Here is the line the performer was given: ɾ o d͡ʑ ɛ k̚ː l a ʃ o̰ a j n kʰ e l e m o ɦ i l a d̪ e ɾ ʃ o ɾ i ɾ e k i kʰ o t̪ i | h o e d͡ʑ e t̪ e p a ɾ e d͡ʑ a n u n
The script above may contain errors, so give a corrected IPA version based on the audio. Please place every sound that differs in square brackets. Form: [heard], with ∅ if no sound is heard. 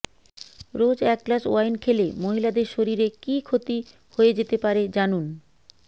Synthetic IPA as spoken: ɾ o d͡ʑ ɛ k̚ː l a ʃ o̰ a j n kʰ e l e m o ɦ i l a d̪ e ɾ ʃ o ɾ i ɾ e k i kʰ o t̪ i | h o e d͡ʑ e t̪ e p a ɾ e d͡ʑ a n u n